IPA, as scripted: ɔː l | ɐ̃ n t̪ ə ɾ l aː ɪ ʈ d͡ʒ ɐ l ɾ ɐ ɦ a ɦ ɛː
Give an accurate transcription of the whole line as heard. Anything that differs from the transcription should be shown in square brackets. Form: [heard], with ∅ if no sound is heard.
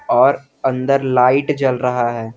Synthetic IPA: ɔː [ɾ] | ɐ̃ n [d̪] ə ɾ l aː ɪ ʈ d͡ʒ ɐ l ɾ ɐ ɦ a ɦ ɛː

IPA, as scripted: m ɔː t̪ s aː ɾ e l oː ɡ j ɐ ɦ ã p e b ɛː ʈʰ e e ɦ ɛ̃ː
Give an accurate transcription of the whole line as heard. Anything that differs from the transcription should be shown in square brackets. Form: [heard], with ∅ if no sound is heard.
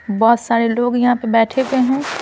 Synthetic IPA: [b] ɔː t̪ s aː ɾ e l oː ɡ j ɐ ɦ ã p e b ɛː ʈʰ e e ɦ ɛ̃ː

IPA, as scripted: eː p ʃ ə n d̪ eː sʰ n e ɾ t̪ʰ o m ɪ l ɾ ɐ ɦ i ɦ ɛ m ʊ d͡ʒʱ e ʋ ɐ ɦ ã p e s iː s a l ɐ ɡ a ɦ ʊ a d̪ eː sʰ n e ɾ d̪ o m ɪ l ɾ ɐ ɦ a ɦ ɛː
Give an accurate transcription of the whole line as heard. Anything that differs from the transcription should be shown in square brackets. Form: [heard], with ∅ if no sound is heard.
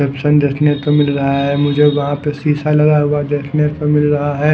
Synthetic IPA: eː p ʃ ə n d̪ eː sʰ n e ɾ [t̪] o m ɪ l ɾ ɐ ɦ [a] ɦ ɛ m ʊ d͡ʒʱ e ʋ ɐ ɦ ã p e s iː s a l ɐ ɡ a ɦ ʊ a d̪ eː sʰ n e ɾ [t̪] o m ɪ l ɾ ɐ ɦ a ɦ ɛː

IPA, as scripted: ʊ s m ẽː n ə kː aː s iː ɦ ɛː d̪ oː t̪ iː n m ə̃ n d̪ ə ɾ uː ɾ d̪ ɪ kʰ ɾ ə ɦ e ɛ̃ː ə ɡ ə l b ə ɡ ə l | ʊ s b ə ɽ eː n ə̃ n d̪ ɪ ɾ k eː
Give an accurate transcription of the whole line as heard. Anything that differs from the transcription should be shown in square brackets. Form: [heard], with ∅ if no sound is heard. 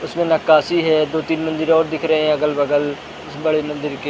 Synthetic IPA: ʊ s m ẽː n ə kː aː s iː ɦ ɛː d̪ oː t̪ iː n m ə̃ n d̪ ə ɾ [ɔː] ɾ d̪ ɪ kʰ ɾ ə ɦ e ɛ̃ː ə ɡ ə l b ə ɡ ə l | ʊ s b ə ɽ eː [m] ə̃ n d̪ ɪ ɾ k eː

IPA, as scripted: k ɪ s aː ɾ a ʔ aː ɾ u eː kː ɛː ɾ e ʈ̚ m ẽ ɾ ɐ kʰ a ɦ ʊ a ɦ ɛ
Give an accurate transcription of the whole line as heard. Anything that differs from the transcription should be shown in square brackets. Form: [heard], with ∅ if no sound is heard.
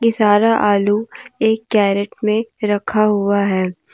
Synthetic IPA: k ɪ s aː ɾ a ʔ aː [l] u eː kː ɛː ɾ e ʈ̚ m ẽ ɾ ɐ kʰ a ɦ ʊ a ɦ [ɛː]

